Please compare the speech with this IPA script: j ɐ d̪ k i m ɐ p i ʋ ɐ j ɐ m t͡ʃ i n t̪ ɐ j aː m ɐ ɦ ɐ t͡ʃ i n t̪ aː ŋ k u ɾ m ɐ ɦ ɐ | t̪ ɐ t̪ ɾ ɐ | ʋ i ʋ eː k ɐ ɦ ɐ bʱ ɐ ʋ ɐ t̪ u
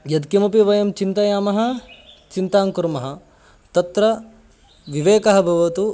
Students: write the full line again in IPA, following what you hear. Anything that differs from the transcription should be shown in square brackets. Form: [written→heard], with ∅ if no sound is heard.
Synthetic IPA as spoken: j ɐ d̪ k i m ɐ p i ʋ ɐ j ɐ m t͡ʃ i n t̪ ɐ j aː m ɐ ɦ ɐ t͡ʃ i n t̪ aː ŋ k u ɾ m ɐ ɦ ɐ | t̪ ɐ t̪ ɾ ɐ | ʋ i ʋ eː k ɐ ɦ ɐ bʱ ɐ ʋ ɐ t̪ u